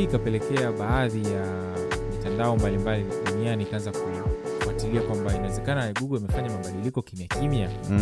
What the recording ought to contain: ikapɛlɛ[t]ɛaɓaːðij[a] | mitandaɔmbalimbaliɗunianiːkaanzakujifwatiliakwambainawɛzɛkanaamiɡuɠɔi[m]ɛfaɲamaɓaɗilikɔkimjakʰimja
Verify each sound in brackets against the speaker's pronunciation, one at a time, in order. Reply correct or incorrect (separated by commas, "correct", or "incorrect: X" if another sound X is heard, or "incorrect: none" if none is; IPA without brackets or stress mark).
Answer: incorrect: k, correct, correct